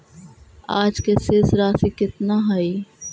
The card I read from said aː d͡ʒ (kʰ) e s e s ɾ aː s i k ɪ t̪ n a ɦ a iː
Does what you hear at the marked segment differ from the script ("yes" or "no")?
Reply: yes